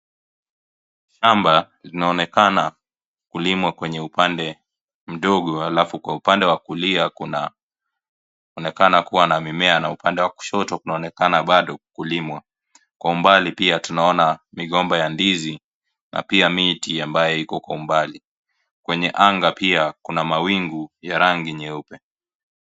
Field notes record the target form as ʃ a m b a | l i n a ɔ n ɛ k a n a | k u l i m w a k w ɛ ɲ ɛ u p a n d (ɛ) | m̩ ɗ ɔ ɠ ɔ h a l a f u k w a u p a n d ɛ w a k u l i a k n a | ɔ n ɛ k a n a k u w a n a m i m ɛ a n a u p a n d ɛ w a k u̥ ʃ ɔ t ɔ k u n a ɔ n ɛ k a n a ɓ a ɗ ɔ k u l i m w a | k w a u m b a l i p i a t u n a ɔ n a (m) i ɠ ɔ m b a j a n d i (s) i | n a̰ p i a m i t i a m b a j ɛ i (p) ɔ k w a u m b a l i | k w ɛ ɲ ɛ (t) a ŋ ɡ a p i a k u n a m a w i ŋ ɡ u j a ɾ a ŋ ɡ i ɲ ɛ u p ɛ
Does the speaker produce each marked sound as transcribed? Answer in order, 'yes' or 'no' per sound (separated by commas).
yes, yes, no, no, no